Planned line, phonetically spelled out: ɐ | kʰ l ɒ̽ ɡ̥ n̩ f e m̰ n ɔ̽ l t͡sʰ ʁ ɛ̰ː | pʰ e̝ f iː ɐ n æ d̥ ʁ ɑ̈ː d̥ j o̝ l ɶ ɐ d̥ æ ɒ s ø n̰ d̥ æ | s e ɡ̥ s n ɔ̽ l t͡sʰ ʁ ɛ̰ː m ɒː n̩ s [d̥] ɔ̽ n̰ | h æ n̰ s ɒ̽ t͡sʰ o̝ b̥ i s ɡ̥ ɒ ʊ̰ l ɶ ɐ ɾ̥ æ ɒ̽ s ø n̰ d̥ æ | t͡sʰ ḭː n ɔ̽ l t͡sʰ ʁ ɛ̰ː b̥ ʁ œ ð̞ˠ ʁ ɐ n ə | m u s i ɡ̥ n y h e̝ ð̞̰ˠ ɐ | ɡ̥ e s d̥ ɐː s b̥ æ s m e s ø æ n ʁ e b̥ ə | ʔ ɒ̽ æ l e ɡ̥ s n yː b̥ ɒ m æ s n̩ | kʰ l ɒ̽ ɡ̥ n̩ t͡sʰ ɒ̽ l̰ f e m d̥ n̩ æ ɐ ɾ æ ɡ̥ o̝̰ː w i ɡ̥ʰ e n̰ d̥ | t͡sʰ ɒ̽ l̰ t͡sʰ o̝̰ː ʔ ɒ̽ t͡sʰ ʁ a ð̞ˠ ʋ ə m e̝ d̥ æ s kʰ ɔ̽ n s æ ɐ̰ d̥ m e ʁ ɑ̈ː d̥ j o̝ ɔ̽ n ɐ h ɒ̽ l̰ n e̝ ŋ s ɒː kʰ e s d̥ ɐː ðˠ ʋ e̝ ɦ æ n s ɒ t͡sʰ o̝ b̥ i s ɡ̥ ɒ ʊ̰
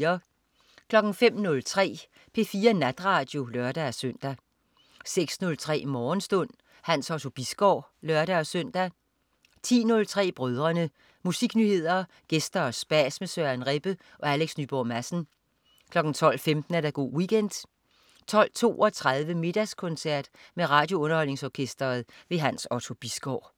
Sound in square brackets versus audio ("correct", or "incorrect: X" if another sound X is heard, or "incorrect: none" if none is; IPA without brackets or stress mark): correct